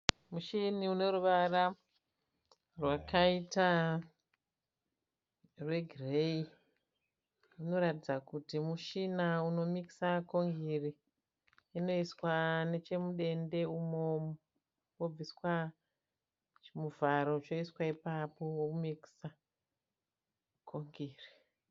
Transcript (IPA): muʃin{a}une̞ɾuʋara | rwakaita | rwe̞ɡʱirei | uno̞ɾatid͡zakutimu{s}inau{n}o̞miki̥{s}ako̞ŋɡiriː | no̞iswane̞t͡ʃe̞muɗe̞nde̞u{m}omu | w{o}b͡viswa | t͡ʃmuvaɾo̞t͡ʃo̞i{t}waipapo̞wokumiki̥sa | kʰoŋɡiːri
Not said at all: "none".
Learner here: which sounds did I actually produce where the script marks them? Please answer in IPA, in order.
i, ʃ, n, s, m, o, s

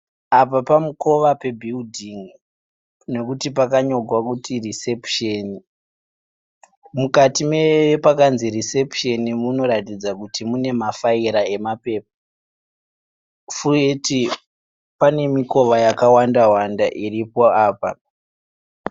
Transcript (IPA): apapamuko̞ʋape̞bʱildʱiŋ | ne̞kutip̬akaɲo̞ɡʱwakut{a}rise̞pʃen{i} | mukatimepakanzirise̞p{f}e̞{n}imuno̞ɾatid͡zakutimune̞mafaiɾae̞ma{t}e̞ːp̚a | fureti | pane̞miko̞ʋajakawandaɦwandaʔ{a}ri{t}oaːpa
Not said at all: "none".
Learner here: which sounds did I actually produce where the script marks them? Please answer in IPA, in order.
i, i, ʃ, n, p, i, p

